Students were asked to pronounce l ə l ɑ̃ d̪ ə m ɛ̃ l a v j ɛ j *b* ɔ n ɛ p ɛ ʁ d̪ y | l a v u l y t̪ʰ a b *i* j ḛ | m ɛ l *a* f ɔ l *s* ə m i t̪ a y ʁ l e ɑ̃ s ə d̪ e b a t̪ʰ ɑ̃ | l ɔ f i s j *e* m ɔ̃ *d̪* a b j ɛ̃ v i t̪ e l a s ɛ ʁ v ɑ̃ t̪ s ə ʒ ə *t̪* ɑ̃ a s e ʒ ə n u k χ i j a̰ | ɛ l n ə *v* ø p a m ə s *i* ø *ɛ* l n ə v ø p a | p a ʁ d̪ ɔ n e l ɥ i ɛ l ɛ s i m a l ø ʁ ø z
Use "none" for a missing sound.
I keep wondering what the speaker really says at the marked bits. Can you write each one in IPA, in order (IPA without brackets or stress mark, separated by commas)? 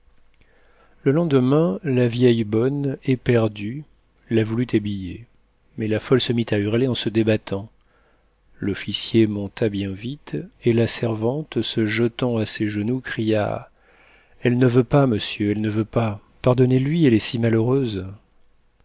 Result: b, i, a, s, e, t̪, t̪, v, j, ɛ